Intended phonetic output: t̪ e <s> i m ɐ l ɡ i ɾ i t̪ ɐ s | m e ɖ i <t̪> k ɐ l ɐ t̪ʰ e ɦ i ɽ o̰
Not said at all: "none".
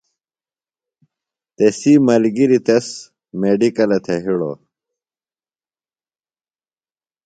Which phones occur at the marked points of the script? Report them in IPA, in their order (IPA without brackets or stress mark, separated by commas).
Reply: s, none